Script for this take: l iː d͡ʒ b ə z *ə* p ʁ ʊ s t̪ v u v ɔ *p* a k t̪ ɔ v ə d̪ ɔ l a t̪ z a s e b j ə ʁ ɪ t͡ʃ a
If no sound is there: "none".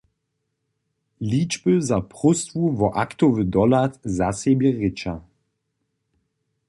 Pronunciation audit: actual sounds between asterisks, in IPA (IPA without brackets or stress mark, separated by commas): a, ʔ